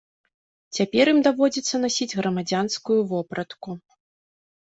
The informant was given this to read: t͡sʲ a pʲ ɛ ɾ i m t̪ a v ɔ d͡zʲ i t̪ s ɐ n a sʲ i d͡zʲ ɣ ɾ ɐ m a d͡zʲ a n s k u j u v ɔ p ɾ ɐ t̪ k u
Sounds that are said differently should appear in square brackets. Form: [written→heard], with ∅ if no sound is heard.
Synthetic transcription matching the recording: t͡sʲ a pʲ ɛ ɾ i m [t̪→d̪] a v ɔ d͡zʲ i t̪ [s→sː] ɐ n a sʲ i d͡zʲ ɣ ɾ ɐ m a d͡zʲ a n s k u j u v ɔ p ɾ ɐ t̪ k u